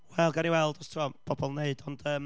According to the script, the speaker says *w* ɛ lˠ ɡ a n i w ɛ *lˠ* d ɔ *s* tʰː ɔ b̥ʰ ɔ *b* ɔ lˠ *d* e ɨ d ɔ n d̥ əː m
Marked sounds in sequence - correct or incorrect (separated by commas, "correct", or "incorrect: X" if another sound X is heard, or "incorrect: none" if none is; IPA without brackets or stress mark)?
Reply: correct, correct, correct, correct, incorrect: n